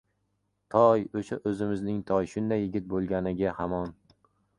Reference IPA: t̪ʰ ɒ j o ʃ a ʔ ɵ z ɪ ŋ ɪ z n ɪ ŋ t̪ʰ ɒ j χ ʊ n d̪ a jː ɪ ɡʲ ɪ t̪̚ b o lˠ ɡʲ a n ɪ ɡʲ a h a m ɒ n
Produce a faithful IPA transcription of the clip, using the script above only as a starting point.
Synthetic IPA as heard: t̪ʰ ɒ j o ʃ a ʔ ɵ z ɪ m ɪ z n ɪ ŋ t̪ʰ ɒ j ʃ ʊ n d̪ a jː ɪ ɡʲ ɪ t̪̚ b o lˠ ɡʲ a n ɪ ɡʲ a h a m ɒ n